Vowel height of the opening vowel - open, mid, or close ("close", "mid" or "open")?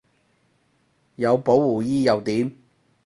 open